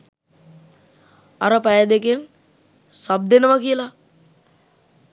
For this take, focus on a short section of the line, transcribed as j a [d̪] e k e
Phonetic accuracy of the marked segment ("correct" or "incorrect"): correct